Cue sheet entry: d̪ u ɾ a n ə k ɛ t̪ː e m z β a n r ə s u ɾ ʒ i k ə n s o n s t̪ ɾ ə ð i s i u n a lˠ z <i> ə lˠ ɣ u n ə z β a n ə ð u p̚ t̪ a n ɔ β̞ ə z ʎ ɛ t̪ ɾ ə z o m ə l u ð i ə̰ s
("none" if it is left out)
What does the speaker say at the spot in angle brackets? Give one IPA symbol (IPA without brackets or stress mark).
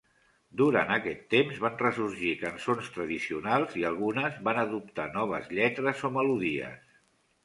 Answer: i